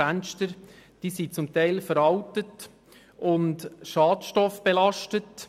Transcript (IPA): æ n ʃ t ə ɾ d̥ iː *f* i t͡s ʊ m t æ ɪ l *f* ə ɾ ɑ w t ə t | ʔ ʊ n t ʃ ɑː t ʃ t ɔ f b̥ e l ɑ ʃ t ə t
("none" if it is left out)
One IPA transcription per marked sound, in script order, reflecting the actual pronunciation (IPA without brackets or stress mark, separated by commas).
s, f